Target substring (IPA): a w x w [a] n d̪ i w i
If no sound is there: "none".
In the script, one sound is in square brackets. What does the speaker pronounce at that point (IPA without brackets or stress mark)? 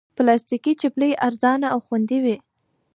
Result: a